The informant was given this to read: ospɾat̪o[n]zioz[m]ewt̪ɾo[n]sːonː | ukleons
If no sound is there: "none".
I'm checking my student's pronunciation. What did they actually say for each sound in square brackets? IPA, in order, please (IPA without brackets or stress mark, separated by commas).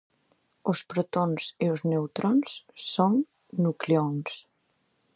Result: n, n, n